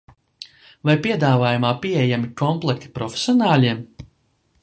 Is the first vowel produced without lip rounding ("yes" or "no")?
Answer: yes